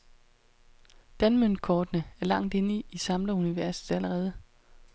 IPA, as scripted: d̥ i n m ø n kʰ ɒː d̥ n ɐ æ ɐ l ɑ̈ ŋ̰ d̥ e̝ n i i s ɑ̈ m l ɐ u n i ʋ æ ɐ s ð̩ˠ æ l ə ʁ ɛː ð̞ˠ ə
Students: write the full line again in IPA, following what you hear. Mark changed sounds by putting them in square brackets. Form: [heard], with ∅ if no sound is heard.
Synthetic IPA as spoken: d̥ [æ] n m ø n kʰ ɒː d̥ n [ə] æ ɐ l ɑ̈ ŋ̰ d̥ e̝ n i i s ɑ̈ m l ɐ u n i ʋ æ ɐ s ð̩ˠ æ l ə ʁ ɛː ð̞ˠ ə